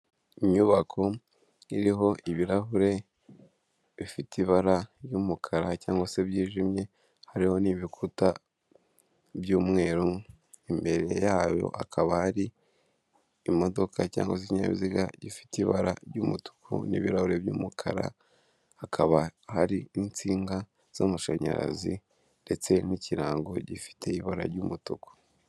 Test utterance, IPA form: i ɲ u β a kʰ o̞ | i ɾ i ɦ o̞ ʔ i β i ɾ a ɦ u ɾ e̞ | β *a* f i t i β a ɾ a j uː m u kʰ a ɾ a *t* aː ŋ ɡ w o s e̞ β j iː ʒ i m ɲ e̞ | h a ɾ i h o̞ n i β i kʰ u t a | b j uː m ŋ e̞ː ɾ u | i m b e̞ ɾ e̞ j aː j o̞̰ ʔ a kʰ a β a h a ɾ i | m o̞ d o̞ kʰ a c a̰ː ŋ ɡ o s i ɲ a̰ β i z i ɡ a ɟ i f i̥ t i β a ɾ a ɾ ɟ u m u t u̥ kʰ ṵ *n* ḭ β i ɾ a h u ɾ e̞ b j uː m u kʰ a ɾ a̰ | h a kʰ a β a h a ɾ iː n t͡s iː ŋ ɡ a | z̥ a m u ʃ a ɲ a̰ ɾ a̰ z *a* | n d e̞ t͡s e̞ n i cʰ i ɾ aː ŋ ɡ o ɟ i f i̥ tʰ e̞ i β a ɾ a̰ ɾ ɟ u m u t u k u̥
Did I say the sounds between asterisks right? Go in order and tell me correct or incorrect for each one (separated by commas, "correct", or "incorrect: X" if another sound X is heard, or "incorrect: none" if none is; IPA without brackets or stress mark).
incorrect: i, incorrect: c, correct, incorrect: i